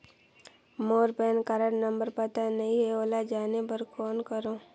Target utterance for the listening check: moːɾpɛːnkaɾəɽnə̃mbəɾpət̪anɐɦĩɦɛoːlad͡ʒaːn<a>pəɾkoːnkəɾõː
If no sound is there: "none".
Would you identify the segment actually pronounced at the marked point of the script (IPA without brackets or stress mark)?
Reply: e